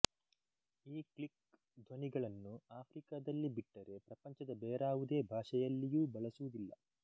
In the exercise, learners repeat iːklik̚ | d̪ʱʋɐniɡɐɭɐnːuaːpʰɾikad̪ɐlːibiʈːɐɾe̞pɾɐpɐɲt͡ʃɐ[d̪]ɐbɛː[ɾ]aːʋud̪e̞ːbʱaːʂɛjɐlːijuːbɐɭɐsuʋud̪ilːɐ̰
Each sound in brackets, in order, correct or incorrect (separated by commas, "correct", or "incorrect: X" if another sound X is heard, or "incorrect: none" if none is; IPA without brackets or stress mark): correct, correct